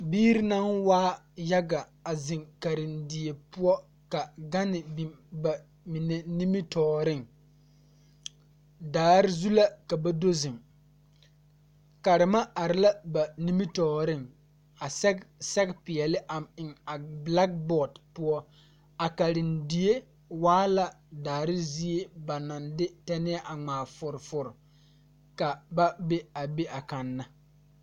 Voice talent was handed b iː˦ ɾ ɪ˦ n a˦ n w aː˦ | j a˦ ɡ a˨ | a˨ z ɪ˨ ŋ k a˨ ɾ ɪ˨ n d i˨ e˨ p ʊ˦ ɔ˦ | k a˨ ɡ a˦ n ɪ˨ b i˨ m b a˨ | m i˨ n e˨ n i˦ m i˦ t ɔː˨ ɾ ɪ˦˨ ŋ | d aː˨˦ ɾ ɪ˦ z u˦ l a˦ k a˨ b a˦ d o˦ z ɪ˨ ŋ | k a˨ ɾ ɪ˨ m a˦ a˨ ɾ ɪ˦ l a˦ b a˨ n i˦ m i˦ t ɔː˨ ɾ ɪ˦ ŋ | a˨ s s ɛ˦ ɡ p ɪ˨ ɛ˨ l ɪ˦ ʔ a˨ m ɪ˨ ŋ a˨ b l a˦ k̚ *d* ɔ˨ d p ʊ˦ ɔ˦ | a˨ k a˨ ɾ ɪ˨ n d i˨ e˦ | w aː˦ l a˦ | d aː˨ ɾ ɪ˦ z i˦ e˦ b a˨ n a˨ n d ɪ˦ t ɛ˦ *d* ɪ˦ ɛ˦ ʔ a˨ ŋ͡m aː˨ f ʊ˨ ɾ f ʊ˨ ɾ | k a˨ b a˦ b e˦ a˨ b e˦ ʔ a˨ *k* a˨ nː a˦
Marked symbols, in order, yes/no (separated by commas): no, no, yes